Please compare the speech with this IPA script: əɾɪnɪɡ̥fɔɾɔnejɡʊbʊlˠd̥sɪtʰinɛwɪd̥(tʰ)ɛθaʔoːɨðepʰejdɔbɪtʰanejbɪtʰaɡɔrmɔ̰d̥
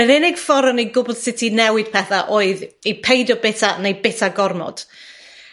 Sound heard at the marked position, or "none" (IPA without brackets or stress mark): pʰ